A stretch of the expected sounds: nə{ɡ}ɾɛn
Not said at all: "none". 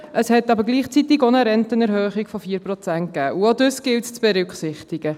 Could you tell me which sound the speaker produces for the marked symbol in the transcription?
none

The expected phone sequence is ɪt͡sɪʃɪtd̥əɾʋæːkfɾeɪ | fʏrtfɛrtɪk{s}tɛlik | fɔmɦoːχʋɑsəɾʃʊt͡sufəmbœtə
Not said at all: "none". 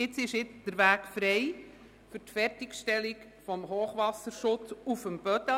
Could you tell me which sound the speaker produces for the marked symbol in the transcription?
ʃ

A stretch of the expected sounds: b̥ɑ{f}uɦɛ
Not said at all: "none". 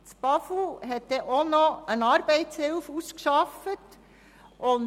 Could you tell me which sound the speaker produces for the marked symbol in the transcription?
f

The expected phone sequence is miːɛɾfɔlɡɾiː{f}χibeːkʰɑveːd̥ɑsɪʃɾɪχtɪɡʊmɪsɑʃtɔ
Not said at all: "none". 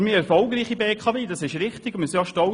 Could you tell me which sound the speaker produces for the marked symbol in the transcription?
none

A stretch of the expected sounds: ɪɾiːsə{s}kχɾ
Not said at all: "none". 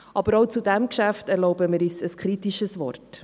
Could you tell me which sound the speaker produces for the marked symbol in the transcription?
s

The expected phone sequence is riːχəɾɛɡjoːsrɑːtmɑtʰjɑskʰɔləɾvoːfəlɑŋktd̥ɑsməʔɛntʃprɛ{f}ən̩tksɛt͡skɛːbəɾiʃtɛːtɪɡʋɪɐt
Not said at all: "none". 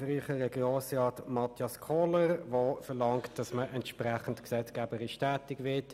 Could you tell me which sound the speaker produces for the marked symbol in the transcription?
χ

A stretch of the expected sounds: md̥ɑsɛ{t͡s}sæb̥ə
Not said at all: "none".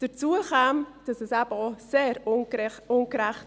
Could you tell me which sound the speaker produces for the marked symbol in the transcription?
none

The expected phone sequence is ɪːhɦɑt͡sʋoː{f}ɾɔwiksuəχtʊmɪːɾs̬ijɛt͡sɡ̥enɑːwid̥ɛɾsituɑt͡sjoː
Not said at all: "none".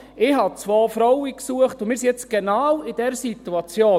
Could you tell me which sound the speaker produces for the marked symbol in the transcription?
f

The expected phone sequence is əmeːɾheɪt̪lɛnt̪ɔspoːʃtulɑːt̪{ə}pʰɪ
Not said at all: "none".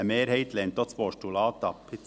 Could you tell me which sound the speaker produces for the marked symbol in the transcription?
ɑ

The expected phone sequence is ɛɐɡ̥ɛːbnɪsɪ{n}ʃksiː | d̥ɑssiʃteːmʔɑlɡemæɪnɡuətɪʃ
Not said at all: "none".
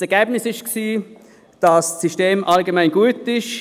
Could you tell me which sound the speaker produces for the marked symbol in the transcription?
none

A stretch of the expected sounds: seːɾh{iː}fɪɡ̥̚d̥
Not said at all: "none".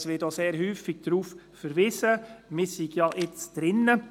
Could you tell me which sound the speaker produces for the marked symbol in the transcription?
yː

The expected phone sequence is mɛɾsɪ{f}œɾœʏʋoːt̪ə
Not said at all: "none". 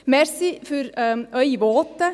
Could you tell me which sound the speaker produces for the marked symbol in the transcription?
f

